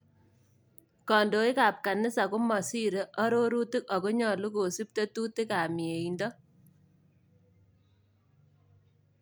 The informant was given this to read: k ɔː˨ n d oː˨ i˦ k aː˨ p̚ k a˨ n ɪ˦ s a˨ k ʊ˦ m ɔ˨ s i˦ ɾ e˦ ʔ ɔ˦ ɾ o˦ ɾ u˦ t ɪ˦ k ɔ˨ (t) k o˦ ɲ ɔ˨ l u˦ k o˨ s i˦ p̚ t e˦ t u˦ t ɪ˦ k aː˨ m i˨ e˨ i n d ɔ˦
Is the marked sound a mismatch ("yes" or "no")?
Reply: yes